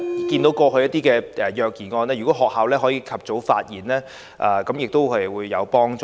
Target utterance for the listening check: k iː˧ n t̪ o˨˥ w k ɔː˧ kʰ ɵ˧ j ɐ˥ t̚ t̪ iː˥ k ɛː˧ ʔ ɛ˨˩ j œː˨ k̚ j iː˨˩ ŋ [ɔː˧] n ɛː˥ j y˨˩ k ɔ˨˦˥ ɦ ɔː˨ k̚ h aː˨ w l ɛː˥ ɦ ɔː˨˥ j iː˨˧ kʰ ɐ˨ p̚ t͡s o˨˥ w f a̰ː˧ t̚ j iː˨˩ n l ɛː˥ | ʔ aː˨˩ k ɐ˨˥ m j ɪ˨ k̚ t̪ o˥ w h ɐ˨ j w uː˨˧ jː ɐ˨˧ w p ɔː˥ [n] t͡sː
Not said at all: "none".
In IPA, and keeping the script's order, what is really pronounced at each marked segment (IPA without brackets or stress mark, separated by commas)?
ɔː˧, ŋ